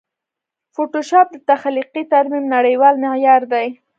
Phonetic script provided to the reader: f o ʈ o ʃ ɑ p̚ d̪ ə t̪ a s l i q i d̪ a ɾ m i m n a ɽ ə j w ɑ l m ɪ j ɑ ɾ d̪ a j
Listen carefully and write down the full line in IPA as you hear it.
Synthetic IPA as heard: f o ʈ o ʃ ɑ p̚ d̪ ə t̪ a x l i q i t̪ a ɾ m i m n a ɽ ə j w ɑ l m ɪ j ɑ ɾ d̪ a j